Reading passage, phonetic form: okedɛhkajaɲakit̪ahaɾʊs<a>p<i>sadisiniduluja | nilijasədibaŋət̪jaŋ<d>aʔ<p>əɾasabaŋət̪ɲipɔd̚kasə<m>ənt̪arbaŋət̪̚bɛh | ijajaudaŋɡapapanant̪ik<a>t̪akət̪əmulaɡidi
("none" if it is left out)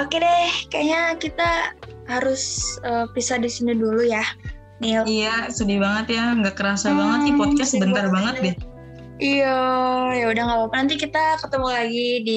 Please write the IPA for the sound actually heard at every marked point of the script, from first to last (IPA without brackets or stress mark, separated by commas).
ə, i, ɡ, k, b, i